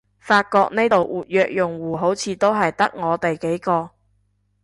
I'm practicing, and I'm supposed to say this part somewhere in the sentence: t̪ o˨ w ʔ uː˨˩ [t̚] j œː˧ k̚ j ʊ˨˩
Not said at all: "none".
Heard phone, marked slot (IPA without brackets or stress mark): t̚